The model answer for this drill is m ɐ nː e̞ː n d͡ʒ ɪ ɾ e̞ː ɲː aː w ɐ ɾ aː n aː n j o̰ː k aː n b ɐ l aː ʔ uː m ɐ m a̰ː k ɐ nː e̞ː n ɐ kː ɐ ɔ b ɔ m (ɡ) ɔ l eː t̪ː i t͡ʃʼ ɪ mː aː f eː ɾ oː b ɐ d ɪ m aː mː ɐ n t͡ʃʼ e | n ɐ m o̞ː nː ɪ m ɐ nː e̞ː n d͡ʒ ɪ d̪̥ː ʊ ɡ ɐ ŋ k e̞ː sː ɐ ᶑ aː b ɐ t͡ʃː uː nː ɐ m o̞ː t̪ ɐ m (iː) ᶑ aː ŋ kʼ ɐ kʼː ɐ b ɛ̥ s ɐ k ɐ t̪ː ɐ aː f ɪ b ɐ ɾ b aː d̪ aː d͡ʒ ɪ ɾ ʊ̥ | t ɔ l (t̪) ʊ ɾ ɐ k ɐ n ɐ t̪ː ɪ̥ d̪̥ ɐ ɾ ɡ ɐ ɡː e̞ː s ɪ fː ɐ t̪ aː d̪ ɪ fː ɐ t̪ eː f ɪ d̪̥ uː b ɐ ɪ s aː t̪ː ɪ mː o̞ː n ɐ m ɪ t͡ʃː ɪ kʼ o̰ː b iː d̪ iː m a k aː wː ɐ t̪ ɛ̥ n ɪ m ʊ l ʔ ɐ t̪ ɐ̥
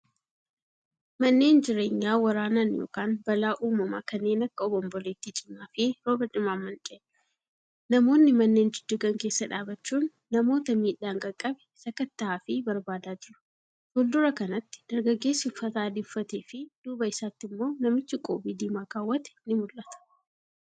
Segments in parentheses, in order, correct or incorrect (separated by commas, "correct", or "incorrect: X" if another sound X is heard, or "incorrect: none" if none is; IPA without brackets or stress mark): incorrect: b, correct, incorrect: d̪